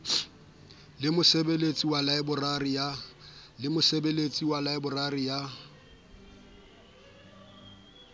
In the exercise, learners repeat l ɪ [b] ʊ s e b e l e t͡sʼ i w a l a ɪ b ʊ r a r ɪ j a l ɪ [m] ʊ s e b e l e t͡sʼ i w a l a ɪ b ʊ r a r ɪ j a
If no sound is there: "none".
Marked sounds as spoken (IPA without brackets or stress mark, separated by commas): m, m